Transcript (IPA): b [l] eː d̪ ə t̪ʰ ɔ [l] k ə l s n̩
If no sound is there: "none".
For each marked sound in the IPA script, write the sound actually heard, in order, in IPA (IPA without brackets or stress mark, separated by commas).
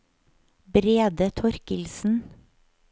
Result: ɾ, ɾ